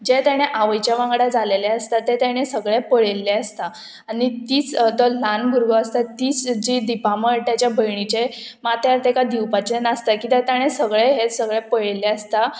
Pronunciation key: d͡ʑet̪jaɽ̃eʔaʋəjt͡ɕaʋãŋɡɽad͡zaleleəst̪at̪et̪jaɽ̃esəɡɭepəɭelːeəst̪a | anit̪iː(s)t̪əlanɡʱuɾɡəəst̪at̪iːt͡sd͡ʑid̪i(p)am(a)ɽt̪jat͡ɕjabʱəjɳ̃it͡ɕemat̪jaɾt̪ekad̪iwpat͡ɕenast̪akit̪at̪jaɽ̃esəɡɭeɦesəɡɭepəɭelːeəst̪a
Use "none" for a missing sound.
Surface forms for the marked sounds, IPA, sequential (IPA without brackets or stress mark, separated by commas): t͡s, p, ə